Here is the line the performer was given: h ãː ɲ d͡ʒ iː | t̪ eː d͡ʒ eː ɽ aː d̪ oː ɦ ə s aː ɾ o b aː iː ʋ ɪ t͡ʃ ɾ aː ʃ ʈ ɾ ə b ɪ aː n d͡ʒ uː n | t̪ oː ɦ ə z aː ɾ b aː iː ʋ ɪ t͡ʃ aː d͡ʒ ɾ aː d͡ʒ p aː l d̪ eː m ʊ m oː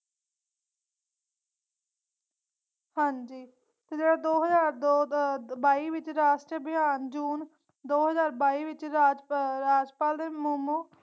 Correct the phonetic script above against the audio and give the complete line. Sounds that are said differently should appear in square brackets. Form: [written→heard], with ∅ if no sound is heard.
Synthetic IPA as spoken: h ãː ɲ d͡ʒ iː | t̪ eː d͡ʒ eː ɽ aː d̪ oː ɦ ə [s→z] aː ɾ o b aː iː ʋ ɪ t͡ʃ ɾ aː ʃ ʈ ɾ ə b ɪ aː n d͡ʒ uː n | [t̪→d̪] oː ɦ ə z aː ɾ b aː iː ʋ ɪ t͡ʃ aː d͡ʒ ɾ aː d͡ʒ p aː l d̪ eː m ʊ m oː